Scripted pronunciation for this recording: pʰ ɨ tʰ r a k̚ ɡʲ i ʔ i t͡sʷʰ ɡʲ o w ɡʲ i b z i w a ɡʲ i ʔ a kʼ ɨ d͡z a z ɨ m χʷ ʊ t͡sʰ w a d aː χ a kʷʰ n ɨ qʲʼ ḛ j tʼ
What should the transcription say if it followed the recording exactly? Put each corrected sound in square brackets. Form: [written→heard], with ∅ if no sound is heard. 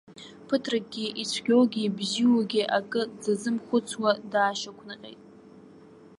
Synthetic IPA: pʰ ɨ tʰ r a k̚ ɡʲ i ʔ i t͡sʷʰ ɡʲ o w ɡʲ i b z i w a ɡʲ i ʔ a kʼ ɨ d͡z a z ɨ m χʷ ʊ t͡sʰ w a d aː [χ→ʃ] a kʷʰ n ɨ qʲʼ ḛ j tʼ